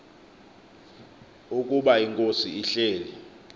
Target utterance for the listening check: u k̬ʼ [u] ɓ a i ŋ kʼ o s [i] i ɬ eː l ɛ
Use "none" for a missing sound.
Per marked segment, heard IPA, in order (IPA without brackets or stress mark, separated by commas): u, i